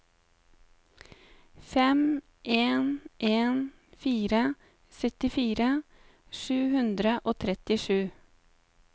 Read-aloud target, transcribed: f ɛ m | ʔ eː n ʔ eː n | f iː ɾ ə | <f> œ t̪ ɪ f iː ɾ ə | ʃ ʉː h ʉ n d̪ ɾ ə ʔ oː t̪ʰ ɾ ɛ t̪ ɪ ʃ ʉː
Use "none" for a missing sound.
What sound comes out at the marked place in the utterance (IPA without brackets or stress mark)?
s